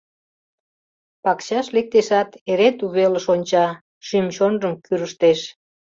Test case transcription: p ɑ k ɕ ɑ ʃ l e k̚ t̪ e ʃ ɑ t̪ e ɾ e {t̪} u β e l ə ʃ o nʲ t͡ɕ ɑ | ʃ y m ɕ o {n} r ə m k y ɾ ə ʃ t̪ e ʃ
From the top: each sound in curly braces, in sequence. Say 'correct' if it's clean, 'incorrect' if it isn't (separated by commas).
correct, correct